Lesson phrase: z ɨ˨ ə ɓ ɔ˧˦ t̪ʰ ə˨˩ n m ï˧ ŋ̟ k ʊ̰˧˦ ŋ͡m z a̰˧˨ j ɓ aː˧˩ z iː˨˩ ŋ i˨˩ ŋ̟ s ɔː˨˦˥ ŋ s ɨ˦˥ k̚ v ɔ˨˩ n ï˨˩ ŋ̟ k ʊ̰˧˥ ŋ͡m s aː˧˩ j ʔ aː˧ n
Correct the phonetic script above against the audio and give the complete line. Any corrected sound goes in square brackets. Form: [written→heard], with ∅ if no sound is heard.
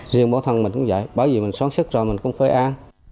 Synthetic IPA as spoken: z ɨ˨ ə ɓ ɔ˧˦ t̪ʰ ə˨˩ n m [ï˧→ï˨˩] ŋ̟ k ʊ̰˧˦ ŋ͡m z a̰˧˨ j ɓ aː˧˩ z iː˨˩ [ŋ→m] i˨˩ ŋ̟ s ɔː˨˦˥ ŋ s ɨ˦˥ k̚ [v→z] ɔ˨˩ [n→m] ï˨˩ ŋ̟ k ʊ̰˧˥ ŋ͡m [s→f] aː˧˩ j ʔ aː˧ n